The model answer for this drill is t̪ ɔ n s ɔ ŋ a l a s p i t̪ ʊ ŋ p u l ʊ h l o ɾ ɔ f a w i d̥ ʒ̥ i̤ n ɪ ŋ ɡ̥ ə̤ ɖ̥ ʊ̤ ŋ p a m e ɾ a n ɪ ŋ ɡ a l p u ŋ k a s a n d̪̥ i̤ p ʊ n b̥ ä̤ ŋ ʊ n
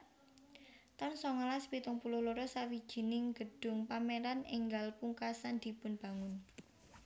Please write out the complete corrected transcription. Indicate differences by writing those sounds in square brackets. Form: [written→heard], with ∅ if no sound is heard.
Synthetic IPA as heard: t̪ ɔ n s ɔ ŋ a l a s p i t̪ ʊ ŋ p u l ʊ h l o ɾ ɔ [f→s] a w i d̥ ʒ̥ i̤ n ɪ ŋ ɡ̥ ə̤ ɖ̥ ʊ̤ ŋ p a m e ɾ a n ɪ ŋ ɡ a l p u ŋ k a s a n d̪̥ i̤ p ʊ n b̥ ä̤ ŋ ʊ n